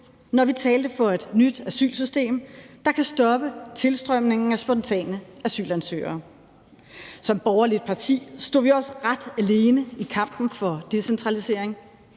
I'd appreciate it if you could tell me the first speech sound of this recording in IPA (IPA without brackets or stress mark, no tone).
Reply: n